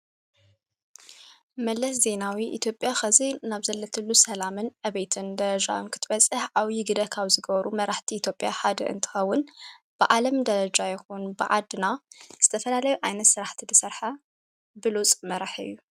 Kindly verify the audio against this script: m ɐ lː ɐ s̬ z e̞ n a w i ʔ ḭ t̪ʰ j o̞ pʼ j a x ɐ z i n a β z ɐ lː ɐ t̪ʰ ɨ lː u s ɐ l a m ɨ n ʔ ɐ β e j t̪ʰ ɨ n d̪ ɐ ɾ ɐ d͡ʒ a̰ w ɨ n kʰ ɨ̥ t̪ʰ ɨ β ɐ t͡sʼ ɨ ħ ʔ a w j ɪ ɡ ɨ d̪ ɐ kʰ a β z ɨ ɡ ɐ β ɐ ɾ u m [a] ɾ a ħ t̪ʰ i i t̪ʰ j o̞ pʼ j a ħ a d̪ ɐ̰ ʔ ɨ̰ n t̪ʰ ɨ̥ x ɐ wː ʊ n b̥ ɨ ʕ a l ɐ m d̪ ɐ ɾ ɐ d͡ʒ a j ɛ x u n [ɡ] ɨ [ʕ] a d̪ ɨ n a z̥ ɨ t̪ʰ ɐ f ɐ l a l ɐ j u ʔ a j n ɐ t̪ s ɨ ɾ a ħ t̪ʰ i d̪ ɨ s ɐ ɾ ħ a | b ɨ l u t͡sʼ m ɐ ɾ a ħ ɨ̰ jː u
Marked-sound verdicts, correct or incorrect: incorrect, incorrect, correct

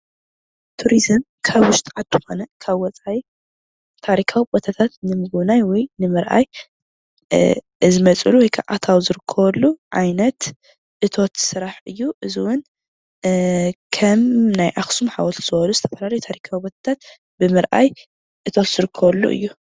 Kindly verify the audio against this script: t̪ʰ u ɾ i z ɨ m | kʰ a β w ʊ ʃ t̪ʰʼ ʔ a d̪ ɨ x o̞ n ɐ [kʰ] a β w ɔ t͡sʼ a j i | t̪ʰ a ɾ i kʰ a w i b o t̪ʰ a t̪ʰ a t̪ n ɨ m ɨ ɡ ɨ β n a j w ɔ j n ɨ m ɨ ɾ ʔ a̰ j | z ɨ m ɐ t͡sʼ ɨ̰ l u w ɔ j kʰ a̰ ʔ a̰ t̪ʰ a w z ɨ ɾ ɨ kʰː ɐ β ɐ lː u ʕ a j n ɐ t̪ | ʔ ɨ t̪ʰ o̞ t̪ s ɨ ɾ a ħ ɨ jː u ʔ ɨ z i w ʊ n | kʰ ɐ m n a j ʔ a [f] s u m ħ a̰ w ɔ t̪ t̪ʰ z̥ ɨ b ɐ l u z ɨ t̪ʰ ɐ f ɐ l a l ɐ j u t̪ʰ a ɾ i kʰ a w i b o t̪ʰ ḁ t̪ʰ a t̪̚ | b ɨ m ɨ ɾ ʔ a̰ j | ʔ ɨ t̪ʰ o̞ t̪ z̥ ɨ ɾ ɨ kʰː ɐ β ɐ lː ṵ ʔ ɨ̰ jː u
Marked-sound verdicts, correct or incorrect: correct, incorrect

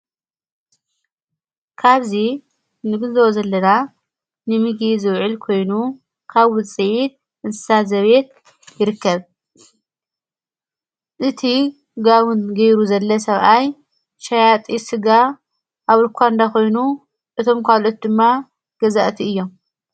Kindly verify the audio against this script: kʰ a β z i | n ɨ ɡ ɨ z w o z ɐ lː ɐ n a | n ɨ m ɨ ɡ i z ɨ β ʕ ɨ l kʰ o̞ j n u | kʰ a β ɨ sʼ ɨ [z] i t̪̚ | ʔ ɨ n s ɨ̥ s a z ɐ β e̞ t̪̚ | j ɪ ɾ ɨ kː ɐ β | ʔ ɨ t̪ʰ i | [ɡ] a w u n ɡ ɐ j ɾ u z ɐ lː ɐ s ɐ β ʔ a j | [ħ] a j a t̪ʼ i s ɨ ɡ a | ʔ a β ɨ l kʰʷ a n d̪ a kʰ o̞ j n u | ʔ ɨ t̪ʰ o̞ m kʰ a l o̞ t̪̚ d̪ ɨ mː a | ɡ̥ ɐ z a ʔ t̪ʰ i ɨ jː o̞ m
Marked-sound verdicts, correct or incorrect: incorrect, correct, incorrect

